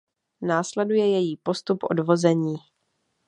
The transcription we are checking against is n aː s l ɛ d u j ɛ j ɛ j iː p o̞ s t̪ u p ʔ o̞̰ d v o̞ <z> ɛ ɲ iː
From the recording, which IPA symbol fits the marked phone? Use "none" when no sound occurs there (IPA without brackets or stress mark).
z